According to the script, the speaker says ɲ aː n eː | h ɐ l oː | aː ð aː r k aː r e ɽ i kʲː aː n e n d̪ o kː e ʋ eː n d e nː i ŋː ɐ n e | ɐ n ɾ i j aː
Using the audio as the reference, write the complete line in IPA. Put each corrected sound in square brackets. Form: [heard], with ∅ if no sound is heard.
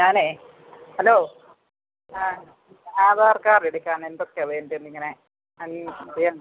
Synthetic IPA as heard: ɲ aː n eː | h ɐ l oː | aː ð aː r k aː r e ɽ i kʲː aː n e n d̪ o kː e ʋ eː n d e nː i ŋː ɐ n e | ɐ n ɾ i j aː